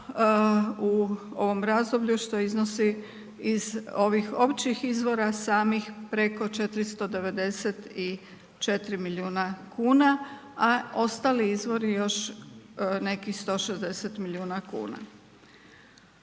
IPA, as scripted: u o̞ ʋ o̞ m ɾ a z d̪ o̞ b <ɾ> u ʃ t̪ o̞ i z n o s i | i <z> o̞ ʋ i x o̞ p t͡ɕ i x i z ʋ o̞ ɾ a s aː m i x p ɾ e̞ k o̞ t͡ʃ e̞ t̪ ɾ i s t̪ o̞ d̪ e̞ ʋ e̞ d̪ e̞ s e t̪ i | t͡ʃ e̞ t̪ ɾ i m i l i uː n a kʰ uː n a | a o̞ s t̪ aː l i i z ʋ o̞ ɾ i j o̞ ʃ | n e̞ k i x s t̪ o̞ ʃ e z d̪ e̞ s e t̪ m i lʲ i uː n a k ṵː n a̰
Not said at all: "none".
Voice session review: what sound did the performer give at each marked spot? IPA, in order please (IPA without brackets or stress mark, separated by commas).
ʎ, z